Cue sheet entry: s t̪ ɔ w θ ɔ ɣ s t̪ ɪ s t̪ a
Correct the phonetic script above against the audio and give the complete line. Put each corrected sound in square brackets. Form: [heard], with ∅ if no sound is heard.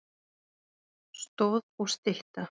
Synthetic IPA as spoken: s t̪ [o] w [ð] ɔ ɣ s t̪ ɪ [h] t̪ a